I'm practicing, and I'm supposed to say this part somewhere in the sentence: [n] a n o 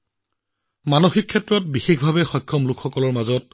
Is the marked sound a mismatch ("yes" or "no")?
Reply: yes